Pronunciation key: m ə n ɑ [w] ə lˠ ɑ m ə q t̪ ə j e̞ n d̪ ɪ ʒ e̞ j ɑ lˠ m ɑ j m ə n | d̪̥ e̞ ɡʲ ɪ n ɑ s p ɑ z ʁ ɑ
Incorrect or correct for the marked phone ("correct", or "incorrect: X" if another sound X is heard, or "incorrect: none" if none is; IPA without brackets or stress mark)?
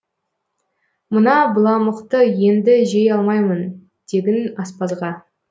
incorrect: b